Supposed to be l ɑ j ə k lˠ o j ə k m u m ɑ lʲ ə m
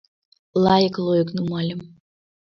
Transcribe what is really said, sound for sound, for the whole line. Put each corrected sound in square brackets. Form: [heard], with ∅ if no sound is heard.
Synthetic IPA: l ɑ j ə k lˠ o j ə k [n] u m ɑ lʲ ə m